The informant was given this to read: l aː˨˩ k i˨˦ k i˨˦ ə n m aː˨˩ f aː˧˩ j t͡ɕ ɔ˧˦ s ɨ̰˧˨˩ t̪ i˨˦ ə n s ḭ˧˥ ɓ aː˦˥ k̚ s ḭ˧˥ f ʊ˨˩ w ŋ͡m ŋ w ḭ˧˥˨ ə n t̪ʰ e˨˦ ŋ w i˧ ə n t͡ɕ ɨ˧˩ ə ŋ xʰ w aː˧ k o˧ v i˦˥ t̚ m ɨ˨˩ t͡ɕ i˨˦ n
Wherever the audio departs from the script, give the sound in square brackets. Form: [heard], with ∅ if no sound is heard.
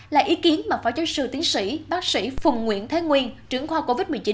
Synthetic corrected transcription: l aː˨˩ [ʔ] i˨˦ k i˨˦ ə n m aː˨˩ f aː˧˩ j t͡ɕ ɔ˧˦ s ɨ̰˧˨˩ t̪ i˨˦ ə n s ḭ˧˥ ɓ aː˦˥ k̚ s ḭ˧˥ f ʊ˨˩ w ŋ͡m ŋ w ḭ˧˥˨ ə n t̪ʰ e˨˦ ŋ w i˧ ə n t͡ɕ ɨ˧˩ ə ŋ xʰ w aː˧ k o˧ v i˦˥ t̚ m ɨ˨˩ t͡ɕ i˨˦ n